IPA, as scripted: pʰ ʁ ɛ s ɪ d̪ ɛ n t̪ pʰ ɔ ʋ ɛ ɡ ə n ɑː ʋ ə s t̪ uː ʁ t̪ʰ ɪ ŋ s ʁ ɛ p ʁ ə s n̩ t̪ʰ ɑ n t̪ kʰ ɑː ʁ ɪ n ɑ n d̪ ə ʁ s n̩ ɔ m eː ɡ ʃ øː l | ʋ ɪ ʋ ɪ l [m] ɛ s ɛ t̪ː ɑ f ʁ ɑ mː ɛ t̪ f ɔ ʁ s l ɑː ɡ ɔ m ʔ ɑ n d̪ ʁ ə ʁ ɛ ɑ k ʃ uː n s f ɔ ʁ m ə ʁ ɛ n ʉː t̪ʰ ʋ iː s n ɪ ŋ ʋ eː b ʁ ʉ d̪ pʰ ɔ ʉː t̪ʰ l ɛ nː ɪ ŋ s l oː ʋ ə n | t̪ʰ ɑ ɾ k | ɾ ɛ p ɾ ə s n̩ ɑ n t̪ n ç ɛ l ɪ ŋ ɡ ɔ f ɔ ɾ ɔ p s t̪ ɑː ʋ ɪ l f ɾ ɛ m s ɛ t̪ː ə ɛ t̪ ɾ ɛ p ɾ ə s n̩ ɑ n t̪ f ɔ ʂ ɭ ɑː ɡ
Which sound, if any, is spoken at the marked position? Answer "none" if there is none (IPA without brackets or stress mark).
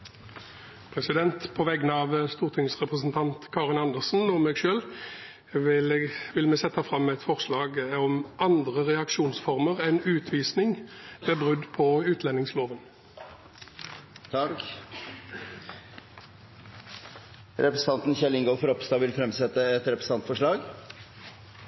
m